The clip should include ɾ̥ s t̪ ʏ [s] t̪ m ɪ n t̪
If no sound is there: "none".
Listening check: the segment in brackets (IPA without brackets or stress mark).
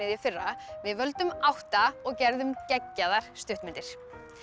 h